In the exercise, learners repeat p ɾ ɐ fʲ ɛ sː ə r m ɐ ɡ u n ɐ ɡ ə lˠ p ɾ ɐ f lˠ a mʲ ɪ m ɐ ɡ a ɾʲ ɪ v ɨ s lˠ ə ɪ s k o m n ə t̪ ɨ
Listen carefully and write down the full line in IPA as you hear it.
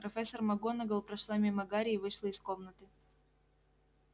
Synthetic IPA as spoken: p ɾ ɐ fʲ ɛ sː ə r m ɐ ɡ o n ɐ ɡ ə lˠ p ɾ ɐ ʂ lˠ a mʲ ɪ m ɐ ɡ a ɾʲ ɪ v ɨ ʂ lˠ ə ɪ s k o m n ə t̪ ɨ